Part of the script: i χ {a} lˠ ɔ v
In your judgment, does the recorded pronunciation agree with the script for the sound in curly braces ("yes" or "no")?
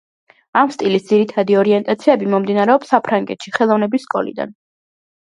no